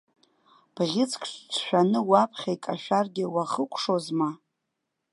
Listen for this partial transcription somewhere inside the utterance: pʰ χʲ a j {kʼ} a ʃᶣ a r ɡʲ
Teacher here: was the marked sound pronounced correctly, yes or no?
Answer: yes